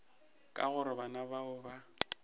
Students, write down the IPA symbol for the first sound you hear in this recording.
kʼ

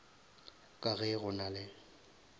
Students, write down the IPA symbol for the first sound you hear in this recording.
kʼ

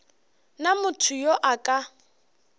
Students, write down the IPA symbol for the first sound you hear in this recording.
n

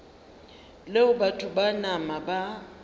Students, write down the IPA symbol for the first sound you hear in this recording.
l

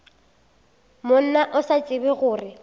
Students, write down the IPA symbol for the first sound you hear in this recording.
m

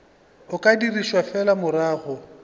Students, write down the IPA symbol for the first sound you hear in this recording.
ʊ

